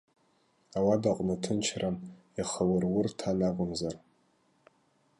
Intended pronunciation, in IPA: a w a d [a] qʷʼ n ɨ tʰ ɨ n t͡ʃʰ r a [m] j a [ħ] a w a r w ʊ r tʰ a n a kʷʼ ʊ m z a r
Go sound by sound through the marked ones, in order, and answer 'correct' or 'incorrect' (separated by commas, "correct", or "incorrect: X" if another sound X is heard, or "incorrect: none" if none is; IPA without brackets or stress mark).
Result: correct, correct, incorrect: χ